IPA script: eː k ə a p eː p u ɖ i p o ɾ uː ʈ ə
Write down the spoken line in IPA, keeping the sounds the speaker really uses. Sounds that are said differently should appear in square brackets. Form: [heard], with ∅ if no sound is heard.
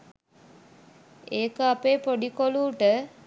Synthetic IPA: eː k ə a p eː p [o] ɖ i [k] o [l] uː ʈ ə